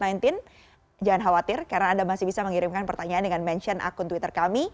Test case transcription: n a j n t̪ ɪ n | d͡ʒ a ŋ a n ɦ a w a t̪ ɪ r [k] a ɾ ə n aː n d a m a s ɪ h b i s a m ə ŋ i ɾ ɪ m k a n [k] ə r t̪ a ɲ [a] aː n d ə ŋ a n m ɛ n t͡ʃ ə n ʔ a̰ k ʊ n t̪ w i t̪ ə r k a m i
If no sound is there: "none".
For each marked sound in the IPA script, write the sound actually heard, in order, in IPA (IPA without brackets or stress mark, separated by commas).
k, p, a